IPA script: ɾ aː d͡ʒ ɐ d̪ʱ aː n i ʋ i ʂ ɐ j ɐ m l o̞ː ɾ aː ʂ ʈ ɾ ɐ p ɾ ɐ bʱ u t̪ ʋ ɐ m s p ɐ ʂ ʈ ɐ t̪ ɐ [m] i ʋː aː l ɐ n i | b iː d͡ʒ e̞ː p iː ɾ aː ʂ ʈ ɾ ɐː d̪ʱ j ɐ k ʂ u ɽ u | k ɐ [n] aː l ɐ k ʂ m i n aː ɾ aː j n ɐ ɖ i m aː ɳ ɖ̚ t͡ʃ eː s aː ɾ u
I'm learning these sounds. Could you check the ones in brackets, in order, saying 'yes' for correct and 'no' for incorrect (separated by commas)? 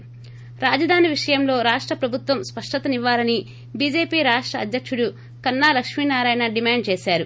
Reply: no, no